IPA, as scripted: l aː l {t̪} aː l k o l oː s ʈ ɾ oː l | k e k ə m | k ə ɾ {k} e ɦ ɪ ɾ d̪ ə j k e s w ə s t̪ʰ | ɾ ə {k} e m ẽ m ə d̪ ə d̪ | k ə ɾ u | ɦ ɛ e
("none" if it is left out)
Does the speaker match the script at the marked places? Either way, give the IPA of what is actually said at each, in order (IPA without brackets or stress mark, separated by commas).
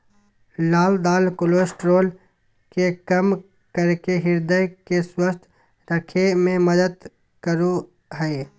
d̪, k, kʰ